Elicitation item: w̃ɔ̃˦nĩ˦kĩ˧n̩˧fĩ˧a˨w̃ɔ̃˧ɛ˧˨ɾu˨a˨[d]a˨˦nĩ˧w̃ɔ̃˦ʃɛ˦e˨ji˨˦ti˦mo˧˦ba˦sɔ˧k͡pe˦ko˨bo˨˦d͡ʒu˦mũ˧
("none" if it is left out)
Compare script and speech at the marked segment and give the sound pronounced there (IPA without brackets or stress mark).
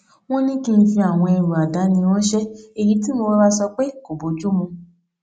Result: d